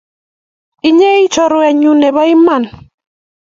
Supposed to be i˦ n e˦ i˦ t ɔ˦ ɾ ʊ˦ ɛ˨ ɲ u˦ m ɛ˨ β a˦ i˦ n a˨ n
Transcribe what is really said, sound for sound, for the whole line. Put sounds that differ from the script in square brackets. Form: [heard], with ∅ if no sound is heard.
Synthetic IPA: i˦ [ɲ] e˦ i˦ [t͡ʃ] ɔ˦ ɾ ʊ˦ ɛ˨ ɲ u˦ [n] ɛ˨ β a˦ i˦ [m] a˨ n